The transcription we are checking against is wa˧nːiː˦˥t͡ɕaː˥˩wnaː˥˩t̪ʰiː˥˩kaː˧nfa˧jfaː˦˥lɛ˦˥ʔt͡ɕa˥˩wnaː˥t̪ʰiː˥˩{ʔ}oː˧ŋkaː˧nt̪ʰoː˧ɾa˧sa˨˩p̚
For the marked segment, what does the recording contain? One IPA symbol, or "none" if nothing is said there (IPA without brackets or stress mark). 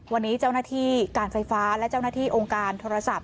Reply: ʔ